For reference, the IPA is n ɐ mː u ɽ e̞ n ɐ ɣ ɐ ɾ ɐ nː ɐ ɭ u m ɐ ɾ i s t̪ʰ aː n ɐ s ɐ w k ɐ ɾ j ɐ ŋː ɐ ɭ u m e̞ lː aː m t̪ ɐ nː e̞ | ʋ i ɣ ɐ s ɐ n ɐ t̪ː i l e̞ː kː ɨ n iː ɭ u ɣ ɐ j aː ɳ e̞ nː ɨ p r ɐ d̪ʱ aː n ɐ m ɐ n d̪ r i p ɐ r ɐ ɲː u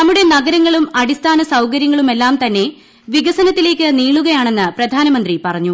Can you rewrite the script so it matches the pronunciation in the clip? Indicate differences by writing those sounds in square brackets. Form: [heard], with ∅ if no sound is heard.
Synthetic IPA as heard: n ɐ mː u ɽ e̞ n ɐ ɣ ɐ ɾ ɐ [ŋː] ɐ ɭ u m ɐ [ɽ] i s t̪ʰ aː n ɐ s ɐ w k ɐ ɾ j ɐ ŋː ɐ ɭ u m e̞ lː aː m t̪ ɐ nː e̞ | ʋ i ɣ ɐ s ɐ n ɐ t̪ː i l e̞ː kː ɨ n iː ɭ u ɣ ɐ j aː ɳ e̞ nː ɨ p r ɐ d̪ʱ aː n ɐ m ɐ n d̪ r i p ɐ r ɐ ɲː u